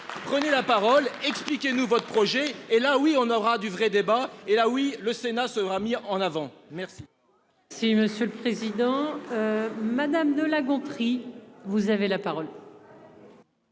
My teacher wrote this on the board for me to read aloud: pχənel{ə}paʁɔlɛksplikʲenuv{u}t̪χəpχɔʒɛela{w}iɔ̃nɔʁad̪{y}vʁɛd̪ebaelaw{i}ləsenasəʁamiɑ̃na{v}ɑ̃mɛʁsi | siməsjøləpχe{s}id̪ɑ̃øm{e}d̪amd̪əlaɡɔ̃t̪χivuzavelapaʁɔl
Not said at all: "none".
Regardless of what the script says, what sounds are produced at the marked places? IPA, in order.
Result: a, ɔ, w, y, i, v, z, a

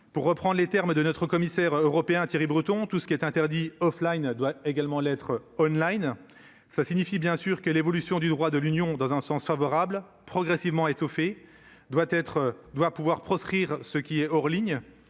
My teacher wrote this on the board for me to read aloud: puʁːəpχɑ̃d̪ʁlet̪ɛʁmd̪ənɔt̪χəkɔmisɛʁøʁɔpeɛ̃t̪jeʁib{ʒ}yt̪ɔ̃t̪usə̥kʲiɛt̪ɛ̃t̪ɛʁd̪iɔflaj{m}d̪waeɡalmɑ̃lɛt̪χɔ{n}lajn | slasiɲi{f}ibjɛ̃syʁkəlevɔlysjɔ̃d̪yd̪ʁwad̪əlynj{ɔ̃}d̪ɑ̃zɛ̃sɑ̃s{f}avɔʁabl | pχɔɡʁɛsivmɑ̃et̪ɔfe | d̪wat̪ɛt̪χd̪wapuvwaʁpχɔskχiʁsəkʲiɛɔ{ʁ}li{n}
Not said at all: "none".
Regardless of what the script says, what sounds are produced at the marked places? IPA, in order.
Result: ʁ, n, n, f, ɔ̃, f, ʁ, ɲ

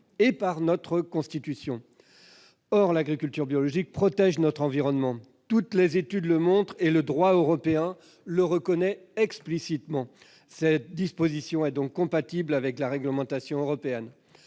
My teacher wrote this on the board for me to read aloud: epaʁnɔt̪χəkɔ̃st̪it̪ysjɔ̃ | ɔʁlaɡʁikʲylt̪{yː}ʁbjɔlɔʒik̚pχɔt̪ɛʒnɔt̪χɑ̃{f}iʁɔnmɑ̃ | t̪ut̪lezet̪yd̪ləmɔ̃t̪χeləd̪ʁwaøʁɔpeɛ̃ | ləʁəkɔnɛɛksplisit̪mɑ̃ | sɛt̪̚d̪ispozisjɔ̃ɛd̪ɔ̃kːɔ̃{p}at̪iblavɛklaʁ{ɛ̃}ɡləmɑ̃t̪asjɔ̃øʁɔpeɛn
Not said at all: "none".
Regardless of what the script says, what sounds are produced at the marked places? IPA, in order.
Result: y, v, p, ɛ

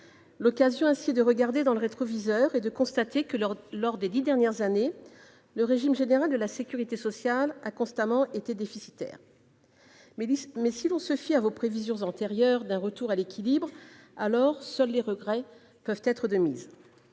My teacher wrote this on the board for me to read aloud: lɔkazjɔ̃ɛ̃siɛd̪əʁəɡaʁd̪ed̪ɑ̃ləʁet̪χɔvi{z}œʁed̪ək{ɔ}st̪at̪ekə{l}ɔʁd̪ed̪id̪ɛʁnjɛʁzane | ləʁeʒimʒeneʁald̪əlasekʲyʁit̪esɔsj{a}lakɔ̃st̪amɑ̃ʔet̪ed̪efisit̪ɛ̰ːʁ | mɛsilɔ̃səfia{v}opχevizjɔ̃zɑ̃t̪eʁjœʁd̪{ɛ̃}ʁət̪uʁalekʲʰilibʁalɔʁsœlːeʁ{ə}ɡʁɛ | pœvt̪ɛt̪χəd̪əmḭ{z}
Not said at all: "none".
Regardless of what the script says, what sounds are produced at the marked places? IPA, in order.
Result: z, ɔ̃, l, a, v, ɛ̃, ə, z

